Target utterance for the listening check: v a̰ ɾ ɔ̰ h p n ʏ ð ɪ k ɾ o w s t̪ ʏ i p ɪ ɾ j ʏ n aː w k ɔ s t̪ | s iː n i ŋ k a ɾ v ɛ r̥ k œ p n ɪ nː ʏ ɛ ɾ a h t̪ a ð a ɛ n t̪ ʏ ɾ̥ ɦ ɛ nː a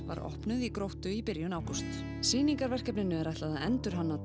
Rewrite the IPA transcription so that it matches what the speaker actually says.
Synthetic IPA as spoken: v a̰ ɾ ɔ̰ h p n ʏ ð i k ɾ o w h t̪ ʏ i p ɪ ɾ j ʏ n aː w k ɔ s t̪ | s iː n i ŋ k a ɾ v ɛ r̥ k ɛ p n ɪ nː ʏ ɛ ɾ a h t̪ a ð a ɛ n t̪ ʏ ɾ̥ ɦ a nː a

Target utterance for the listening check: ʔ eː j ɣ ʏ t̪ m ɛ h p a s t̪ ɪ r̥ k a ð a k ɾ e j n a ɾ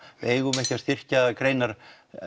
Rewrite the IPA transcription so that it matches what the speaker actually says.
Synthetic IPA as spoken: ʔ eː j ɣ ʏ m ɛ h c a s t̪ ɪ r̥ c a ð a k ɾ e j n a ɾ

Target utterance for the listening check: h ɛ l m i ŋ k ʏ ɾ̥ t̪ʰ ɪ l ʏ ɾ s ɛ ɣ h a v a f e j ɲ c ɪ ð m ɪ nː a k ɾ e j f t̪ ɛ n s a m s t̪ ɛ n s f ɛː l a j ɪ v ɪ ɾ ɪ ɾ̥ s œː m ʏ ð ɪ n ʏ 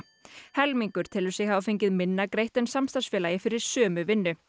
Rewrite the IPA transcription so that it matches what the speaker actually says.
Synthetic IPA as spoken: h ɛ l m i ŋ k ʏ ɾ̥ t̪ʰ ɪ l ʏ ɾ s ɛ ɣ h a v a f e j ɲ c ɪ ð m ɪ nː a k ɾ e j h t̪ ɛ n s a m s t̪ a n s f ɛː l a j ɪ f ɪ ɾ ɪ ɾ̥ s œː m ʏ v ɪ nː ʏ

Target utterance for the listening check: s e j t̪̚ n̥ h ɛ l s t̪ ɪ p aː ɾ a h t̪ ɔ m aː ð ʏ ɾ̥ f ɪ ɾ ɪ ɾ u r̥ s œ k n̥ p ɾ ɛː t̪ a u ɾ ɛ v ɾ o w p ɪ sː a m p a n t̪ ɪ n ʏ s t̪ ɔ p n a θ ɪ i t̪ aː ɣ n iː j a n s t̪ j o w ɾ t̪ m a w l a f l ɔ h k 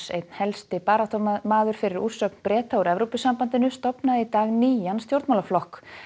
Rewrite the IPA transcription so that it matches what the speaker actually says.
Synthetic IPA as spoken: s e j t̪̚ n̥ h ɛ l s t̪ ɪ p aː ɾ a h t̪ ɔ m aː ð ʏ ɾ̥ f ɪ ɾ ɪ ɾ u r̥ s œ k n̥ p ɾ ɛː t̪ a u ɾ ɛ v ɾ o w p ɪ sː a m p a n t̪ ɪ n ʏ s t̪ ɔ p n a ð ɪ i t̪ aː ɣ n iː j a n s t̪ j o w ɾ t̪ m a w l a f l ɔ h k

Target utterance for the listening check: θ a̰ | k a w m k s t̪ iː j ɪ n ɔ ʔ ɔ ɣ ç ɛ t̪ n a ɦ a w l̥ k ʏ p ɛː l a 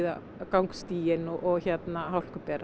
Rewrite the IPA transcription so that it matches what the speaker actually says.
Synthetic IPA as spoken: ð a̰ | k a w ŋ k s t̪ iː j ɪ n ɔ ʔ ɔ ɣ ç ɛ t̪ n a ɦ a w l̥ k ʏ p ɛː ɾ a

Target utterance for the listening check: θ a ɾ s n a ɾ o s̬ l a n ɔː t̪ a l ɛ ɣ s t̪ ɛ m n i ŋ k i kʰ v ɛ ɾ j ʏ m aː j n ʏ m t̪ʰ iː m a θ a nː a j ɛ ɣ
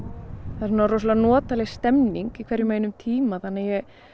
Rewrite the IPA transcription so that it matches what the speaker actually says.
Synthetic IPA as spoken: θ a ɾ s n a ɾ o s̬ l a n ɔː t̪ a l ɛ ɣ s t̪ ɛ m n i ŋ k i kʰ v ɛ ɾ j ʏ m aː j n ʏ m t̪ʰ iː m a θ a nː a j ɛ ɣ

